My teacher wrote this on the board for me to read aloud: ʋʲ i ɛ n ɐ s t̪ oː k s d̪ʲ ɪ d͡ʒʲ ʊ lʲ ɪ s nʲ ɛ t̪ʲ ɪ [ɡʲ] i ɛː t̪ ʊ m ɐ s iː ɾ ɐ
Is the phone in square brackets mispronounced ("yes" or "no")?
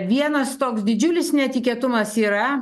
yes